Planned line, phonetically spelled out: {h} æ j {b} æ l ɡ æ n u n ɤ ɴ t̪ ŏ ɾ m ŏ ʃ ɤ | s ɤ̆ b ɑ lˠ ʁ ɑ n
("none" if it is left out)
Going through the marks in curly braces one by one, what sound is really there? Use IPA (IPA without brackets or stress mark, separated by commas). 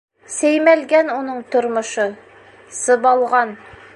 s, m